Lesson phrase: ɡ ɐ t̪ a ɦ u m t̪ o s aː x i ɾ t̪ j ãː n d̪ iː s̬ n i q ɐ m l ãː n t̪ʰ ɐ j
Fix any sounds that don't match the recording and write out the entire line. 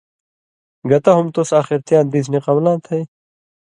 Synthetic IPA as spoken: ɡ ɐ t̪ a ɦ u m t̪ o s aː x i ɾ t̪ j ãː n d̪ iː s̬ n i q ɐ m l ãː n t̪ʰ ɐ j